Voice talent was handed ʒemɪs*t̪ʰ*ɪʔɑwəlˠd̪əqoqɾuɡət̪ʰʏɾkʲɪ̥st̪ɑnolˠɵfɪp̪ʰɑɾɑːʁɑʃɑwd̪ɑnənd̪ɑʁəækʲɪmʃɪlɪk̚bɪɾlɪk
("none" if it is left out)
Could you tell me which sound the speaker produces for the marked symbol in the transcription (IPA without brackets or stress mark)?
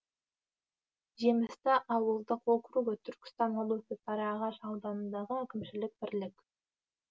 t̪